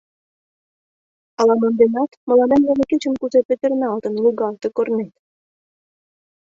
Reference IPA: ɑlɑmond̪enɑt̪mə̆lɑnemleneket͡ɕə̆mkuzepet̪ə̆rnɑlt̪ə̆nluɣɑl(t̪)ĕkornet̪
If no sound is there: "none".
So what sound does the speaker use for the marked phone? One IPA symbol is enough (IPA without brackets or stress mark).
t̪